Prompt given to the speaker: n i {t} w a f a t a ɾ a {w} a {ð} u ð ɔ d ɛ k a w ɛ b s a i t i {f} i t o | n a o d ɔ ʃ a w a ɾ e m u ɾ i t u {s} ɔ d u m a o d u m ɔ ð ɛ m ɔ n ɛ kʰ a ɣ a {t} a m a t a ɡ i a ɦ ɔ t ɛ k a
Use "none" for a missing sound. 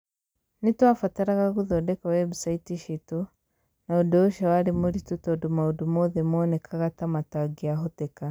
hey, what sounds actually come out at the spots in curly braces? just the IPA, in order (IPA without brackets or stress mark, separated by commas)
t, ɣ, ɣ, ʃ, t, t